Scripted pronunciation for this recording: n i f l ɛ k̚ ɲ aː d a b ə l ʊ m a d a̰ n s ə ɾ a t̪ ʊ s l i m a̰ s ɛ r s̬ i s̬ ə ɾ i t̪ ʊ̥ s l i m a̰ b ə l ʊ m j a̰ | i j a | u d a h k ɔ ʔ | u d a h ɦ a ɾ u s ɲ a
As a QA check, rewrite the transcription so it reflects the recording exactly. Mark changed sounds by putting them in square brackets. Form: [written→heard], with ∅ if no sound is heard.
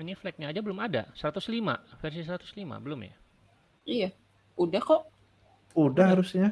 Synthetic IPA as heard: n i f l ɛ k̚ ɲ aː [d→d͡ʒ] a b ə l ʊ m a d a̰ [n→∅] s ə ɾ a t̪ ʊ s l i m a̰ [s→f] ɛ r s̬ i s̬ ə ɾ [i→a] t̪ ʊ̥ s l i m a̰ b ə l ʊ m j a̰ | i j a | u d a h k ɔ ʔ | u d a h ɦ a ɾ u s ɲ a

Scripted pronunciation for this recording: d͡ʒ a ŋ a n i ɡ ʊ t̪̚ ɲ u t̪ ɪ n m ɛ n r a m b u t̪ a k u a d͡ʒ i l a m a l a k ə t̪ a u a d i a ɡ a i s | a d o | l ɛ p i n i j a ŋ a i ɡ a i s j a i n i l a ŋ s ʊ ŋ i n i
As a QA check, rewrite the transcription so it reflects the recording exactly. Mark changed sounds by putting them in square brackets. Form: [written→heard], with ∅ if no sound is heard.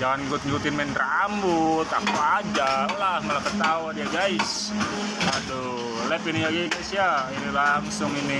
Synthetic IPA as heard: d͡ʒ a ŋ a n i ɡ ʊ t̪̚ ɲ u t̪ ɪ n m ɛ n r a m b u t̪ a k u a d͡ʒ [i→a] l a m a l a k ə t̪ a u a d i a ɡ a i s | a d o | l ɛ p i n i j a [ŋ→ɡ] a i ɡ a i s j a i n i l a ŋ s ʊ ŋ i n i

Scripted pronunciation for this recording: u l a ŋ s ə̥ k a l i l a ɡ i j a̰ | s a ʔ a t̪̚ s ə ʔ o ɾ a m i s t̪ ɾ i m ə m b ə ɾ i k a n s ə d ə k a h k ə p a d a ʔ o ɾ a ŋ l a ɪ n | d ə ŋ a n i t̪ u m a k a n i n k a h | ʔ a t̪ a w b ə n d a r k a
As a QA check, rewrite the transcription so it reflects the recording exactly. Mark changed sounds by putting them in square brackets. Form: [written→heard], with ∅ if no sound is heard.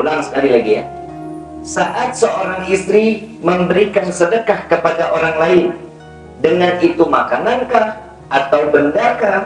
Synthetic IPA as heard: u l a ŋ s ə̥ k a l i l a ɡ i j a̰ | s a ʔ a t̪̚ s ə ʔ o ɾ a [m→ŋ] i s t̪ ɾ i m ə m b ə ɾ i k a n s ə d ə k a h k ə p a d a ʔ o ɾ a ŋ l a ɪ n | d ə ŋ a n i t̪ u m a k a n [i→a] n k a h | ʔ a t̪ a w b ə n d a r k a

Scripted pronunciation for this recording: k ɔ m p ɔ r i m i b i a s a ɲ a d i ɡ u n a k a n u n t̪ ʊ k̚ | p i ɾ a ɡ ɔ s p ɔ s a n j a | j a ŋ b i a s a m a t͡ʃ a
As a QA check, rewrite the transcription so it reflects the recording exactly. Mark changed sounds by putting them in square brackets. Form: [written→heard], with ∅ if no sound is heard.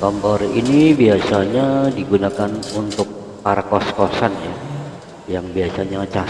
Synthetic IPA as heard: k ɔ m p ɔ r i [m→n] i b i a s a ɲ a d i ɡ u n a k a n u n t̪ ʊ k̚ | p [i→a] ɾ a [ɡ→k] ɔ s [p→k] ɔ s a n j a | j a ŋ b i a s a [m→ɲ] a t͡ʃ a

